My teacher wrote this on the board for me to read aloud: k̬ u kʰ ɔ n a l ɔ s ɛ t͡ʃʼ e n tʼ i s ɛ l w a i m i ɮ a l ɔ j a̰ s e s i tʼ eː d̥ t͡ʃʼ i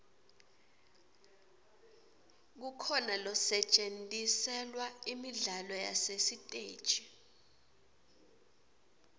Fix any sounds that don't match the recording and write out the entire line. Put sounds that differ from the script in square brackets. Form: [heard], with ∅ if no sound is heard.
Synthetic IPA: k̬ u kʰ ɔ n a l ɔ s ɛ t͡ʃʼ e n tʼ i s ɛ l w a i m i ɮ a l ɔ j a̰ s e s i tʼ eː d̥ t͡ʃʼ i